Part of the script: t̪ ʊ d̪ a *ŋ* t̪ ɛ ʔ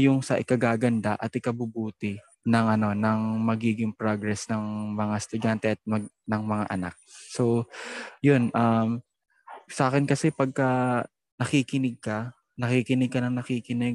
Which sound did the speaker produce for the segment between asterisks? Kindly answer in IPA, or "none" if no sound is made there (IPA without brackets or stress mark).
n